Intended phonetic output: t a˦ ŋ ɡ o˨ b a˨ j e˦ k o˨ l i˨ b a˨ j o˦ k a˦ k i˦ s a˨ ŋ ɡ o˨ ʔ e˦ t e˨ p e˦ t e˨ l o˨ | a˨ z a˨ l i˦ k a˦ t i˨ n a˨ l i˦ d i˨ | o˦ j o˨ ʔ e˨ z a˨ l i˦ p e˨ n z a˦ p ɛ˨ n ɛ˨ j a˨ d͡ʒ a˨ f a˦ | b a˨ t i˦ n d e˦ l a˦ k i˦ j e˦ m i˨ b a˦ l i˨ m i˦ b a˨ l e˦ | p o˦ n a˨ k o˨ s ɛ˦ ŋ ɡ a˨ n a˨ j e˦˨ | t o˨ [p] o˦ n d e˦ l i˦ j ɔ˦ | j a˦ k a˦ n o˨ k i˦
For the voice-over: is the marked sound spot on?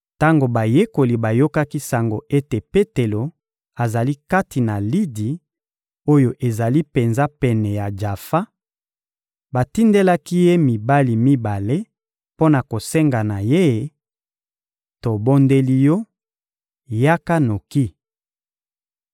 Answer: no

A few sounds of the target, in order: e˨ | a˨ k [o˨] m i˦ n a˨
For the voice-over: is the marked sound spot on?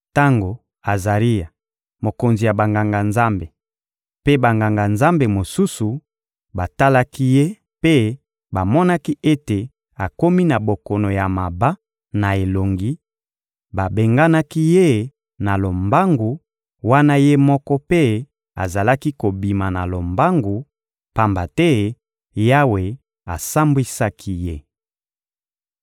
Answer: no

